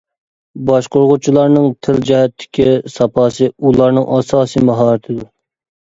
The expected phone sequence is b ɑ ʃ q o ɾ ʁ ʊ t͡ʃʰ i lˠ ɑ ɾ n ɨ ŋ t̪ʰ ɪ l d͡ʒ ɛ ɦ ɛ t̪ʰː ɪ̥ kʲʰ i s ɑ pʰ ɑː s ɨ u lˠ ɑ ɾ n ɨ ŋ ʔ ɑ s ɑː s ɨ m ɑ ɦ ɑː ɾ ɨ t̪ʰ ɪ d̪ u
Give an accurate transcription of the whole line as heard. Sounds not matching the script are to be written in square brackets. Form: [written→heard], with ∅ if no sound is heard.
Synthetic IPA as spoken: b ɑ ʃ q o ɾ ʁ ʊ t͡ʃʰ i lˠ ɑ ɾ n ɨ ŋ t̪ʰ ɪ l d͡ʒ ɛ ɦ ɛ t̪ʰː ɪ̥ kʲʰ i s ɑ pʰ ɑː s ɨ u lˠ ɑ ɾ n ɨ ŋ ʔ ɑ s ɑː s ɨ m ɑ ɦ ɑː ɾ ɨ t̪ʰ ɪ d̪ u